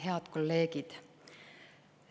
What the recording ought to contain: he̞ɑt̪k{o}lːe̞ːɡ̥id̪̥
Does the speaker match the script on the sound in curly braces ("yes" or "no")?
yes